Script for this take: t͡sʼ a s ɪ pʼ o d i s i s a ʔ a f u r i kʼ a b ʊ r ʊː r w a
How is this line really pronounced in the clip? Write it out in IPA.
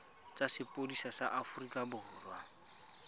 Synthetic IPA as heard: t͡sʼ a s ɪ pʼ o d i s a s a ʔ a f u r i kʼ a b ʊ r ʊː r w a